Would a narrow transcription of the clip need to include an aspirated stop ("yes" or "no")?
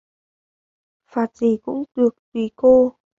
no